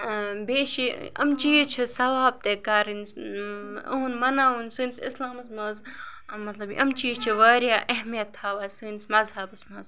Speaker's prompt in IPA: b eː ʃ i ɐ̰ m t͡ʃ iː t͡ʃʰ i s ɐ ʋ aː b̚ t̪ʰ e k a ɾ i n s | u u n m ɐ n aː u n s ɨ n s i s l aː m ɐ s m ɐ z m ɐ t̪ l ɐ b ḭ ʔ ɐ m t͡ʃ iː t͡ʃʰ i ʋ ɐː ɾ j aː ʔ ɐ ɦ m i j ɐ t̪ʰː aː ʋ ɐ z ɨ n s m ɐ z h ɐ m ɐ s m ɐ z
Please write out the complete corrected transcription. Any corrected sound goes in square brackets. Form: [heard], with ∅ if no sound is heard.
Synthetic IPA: b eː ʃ i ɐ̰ m t͡ʃ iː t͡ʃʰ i s ɐ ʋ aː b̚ [t̪] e k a ɾ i n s | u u n m ɐ n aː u n s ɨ n s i s l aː m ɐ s m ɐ z m ɐ t̪ l ɐ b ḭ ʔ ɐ m t͡ʃ iː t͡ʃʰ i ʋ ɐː ɾ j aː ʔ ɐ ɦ m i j ɐ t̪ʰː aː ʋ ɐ [s] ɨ n s m ɐ z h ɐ [b] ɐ s m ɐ z